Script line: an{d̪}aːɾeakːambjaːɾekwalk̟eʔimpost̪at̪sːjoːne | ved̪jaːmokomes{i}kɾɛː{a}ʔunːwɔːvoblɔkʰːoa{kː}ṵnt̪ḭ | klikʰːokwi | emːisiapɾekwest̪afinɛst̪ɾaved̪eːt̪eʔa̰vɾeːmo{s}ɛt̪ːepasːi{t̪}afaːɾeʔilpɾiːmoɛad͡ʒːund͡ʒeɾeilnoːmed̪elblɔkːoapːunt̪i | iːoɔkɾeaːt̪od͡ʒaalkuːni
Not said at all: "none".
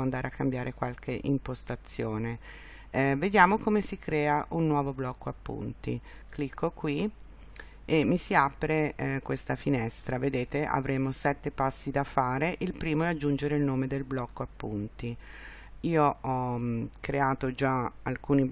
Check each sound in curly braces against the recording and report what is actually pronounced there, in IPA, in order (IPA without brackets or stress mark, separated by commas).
d̪, i, a, pː, s, d̪